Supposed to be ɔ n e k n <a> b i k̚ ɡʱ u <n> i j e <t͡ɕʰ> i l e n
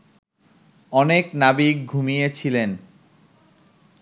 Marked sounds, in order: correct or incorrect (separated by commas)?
correct, incorrect, correct